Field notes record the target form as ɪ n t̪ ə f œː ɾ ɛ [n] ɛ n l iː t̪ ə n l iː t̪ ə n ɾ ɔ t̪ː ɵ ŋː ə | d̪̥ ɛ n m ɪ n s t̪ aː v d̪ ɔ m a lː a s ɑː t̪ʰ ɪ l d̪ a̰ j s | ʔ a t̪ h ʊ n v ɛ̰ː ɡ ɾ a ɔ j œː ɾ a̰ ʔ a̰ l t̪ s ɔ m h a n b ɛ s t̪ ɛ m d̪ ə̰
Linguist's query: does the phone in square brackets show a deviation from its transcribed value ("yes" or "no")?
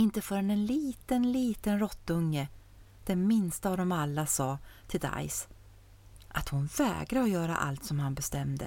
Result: no